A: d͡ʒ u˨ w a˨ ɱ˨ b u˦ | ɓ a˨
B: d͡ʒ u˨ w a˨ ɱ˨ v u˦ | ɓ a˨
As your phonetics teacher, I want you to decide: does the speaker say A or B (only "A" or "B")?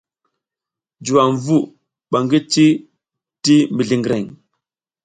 B